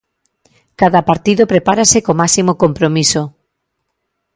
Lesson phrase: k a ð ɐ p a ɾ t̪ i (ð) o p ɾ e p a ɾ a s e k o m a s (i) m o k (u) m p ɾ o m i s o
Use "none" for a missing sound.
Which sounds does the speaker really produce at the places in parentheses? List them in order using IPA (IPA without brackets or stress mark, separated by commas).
ð, i, o